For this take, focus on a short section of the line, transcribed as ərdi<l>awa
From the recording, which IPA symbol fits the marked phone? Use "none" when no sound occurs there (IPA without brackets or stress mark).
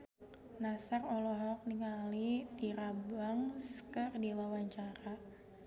l